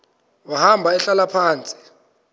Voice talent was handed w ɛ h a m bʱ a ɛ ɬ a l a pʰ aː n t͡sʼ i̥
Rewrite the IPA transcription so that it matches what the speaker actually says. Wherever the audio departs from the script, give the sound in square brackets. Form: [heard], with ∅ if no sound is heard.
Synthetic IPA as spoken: w [a] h a m bʱ a ɛ ɬ a l a pʰ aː n t͡sʼ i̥